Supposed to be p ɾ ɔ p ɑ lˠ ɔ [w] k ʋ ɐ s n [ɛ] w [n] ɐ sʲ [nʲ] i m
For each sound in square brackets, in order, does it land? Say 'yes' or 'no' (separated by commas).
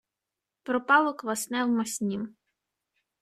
no, yes, no, yes